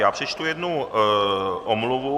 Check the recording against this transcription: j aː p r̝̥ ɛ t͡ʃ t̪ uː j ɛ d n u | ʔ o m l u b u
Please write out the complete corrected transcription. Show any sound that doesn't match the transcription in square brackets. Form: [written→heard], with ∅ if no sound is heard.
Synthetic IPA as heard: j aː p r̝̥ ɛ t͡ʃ t̪ [uː→u] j ɛ d n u | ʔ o m l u [b→v] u